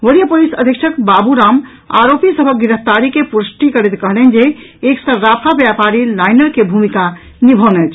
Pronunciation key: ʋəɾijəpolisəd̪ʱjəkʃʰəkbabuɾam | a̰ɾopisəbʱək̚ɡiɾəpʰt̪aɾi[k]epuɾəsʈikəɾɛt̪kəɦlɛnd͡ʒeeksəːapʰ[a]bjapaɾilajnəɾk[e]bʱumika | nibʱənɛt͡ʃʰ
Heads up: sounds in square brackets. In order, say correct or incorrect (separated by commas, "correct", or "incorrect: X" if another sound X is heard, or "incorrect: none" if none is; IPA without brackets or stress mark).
correct, correct, correct